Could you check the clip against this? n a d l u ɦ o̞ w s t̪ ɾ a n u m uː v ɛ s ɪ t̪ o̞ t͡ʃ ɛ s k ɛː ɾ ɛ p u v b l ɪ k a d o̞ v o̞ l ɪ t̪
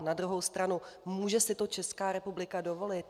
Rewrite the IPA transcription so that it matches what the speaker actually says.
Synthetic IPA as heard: n a d ɾ u ɦ o̞ w s t̪ ɾ a n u m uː ʒ ɛ s ɪ t̪ o̞ t͡ʃ ɛ s k aː ɾ ɛ p u b l ɪ k a d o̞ v o̞ l ɪ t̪